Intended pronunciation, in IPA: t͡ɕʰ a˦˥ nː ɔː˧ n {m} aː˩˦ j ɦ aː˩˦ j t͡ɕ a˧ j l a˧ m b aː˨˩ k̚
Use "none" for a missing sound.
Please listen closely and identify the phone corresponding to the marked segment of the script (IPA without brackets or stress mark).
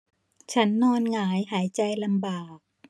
ŋ